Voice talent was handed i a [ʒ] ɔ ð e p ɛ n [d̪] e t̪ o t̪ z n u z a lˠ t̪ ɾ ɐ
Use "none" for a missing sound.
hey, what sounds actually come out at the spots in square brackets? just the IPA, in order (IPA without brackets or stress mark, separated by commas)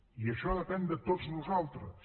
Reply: ʃ, d̪